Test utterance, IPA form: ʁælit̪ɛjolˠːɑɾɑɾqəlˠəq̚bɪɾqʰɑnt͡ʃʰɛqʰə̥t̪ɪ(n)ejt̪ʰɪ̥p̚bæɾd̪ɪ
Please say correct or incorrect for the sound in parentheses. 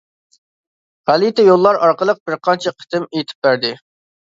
incorrect